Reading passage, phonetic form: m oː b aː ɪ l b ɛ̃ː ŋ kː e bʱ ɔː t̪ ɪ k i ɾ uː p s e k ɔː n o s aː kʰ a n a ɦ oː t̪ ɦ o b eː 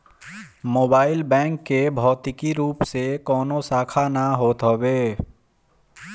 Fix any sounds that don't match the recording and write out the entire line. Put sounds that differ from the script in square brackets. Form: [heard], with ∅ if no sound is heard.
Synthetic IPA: m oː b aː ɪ l b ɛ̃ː ŋ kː e bʱ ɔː t̪ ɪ k i ɾ uː p s e k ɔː n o s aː kʰ a n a ɦ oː t̪ ɦ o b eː